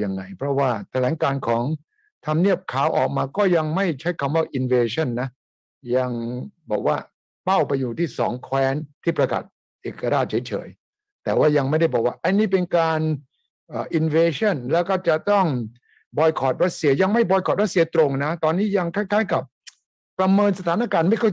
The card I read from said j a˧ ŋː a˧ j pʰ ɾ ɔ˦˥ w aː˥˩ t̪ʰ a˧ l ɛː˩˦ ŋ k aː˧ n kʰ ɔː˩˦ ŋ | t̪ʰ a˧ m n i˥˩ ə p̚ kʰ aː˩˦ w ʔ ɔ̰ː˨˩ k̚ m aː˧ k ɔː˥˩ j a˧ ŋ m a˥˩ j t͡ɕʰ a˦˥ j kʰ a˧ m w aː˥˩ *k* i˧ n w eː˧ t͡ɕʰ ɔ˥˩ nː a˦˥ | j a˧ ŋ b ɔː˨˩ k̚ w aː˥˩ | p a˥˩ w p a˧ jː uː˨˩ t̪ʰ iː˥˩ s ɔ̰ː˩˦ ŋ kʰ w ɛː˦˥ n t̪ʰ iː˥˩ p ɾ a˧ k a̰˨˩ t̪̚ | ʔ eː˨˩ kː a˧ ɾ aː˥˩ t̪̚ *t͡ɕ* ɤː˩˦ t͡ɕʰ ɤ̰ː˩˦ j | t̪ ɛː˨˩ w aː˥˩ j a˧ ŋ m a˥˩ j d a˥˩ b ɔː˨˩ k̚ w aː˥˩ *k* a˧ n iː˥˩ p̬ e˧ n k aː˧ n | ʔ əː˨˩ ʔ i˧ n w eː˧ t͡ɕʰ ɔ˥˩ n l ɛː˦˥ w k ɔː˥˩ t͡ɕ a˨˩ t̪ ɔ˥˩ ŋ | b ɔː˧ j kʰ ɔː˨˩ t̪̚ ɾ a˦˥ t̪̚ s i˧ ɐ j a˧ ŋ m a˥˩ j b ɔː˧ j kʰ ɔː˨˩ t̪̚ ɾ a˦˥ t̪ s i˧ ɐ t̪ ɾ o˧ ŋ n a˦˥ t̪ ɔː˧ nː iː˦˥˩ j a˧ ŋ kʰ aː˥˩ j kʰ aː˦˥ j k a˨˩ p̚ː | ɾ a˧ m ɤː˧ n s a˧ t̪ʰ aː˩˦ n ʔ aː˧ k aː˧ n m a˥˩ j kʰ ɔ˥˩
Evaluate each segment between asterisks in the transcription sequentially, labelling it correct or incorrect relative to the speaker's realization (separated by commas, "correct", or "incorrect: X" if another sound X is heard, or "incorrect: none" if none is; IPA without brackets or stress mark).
incorrect: ʔ, incorrect: t͡ɕʰ, incorrect: ʔ